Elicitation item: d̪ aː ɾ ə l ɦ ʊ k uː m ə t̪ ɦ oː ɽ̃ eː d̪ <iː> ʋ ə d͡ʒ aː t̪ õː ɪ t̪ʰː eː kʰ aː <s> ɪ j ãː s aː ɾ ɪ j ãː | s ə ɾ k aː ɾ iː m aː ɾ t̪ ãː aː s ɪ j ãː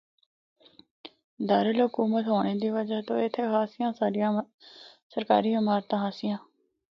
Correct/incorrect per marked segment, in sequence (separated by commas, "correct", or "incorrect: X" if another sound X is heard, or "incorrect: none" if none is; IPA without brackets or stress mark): correct, correct